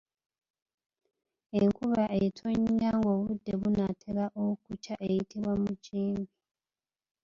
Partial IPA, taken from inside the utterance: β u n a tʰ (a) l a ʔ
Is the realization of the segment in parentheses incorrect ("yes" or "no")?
yes